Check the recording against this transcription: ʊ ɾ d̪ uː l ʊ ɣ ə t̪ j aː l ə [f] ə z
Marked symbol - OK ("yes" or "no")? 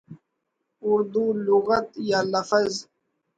yes